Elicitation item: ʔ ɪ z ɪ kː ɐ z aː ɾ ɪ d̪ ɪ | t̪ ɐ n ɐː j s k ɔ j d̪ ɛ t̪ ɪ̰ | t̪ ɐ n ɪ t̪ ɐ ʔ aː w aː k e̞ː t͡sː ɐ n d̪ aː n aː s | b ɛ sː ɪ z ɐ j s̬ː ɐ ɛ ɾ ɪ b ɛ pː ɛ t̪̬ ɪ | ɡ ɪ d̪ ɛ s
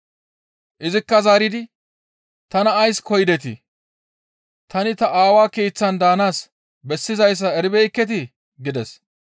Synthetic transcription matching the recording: ʔ ɪ z ɪ kː ɐ z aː ɾ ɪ d̪ ɪ | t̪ ɐ n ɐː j s k ɔ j d̪ ɛ t̪ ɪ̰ | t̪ ɐ n ɪ t̪ ɐ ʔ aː w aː k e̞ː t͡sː ɐ n d̪ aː n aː s | b ɛ sː ɪ z ɐ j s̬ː ɐ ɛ ɾ ɪ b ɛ kː ɛ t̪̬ ɪ | ɡ ɪ d̪ ɛ s